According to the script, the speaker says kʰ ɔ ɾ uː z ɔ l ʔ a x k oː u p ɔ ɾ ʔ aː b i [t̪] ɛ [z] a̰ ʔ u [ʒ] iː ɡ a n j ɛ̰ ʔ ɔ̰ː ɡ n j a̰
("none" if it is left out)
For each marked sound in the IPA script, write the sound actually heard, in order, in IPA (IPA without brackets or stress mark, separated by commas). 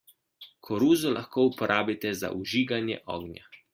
t̪, z, ʒ